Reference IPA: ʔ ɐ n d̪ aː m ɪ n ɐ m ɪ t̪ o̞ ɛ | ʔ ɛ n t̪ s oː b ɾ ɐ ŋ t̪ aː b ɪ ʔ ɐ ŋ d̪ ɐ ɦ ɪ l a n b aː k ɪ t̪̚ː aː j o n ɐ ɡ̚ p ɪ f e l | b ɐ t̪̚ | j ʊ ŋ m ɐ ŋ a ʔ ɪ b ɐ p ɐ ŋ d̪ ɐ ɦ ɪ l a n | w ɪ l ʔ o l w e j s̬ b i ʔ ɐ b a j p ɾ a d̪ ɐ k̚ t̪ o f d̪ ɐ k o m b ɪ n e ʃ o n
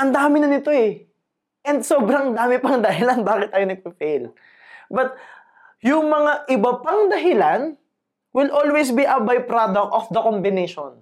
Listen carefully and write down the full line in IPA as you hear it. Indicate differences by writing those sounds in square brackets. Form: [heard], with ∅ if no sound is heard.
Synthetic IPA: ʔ ɐ n d̪ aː m ɪ n ɐ [n] ɪ t̪ o̞ ɛ | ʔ ɛ n [d̪] s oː b ɾ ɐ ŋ [d̪] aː [m] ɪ [p] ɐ ŋ d̪ ɐ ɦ ɪ l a n b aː k ɪ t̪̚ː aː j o n ɐ ɡ̚ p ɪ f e l | b ɐ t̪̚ | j ʊ ŋ m ɐ ŋ a ʔ ɪ b ɐ p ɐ ŋ d̪ ɐ ɦ ɪ l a n | w ɪ l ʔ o l w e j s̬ b i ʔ ɐ b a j p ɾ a d̪ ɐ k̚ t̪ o f d̪ ɐ k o m b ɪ n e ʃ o n